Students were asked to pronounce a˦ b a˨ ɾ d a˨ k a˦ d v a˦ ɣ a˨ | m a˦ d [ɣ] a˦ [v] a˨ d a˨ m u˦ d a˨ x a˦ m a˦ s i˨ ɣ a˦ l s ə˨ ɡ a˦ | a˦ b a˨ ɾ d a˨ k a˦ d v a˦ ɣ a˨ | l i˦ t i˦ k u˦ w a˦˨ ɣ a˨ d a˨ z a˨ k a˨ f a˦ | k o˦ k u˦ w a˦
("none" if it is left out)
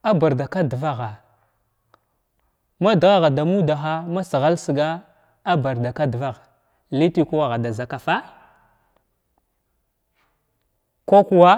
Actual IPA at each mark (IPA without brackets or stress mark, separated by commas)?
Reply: ɣ, ɣ